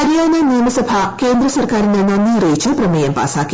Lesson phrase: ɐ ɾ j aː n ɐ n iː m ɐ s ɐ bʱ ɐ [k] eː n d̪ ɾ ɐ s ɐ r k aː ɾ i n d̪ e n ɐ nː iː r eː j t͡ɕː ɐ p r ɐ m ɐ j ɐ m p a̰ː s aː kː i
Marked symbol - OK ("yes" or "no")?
yes